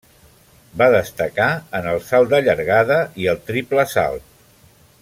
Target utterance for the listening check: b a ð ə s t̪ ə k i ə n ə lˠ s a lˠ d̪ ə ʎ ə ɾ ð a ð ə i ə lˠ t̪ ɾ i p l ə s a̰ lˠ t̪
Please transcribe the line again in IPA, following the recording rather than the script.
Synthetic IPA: b a ð ə s t̪ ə k a ə n ə lˠ s a lˠ d̪ ə ʎ ə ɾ ɣ a ð ə i ə lˠ t̪ ɾ i p l ə s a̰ lˠ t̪